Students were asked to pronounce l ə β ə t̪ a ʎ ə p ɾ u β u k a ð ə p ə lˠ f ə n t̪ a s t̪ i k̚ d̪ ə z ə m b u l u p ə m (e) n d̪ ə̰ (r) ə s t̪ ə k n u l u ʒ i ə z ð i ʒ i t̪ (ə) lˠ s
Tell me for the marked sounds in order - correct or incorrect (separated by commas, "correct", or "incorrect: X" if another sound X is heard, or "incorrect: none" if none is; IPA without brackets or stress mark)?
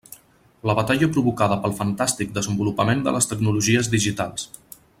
correct, incorrect: l, incorrect: a